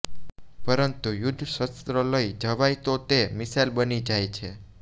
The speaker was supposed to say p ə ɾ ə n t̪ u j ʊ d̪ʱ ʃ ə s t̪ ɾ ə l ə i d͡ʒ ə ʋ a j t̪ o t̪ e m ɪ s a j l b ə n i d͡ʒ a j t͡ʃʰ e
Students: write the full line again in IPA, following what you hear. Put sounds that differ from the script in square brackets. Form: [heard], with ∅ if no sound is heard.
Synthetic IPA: p ə ɾ ə n t̪ u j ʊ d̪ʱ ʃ ə s t̪ ɾ ə l ə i d͡ʒ ə ʋ a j t̪ o t̪ e m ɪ s a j l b ə n i d͡ʒ a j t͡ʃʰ e

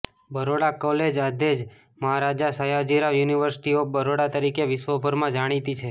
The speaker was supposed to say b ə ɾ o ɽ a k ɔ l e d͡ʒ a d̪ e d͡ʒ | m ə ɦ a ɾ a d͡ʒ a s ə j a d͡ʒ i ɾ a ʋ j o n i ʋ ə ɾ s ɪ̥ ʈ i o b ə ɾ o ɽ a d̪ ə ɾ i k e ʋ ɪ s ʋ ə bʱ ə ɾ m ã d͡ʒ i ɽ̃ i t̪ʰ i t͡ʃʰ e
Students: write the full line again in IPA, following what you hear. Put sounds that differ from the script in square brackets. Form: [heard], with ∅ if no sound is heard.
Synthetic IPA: b ə ɾ o ɽ a k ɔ l e d͡ʒ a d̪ e d͡ʒ | m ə ɦ a ɾ a d͡ʒ a s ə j a d͡ʒ i ɾ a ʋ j [u] n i ʋ ə ɾ s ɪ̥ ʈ i o b ə ɾ o ɽ a [t̪] ə ɾ i k e ʋ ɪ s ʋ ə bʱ ə ɾ m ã d͡ʒ [a] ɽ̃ i [t̪] i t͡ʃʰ e

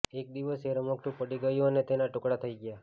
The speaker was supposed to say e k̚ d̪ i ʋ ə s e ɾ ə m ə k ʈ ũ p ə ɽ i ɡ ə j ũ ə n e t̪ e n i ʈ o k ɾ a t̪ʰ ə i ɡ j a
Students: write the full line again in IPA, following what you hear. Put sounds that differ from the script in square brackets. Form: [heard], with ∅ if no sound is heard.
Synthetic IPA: e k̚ d̪ i ʋ ə s e ɾ ə m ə k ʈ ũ p ə ɽ i ɡ ə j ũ ə n e t̪ e n [a] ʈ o k [ɽ] a t̪ʰ ə i ɡ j a

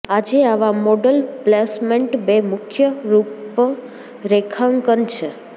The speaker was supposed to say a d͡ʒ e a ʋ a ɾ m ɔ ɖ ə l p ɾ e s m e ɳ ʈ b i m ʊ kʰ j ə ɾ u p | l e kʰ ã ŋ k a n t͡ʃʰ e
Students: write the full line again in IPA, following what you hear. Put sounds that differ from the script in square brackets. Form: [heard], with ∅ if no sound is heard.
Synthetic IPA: a d͡ʒ e a ʋ a [∅] m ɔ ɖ ə l p [l] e s m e ɳ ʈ b [e] m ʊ kʰ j ə ɾ u p | [ɾ] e kʰ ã ŋ k [ə] n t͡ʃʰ e

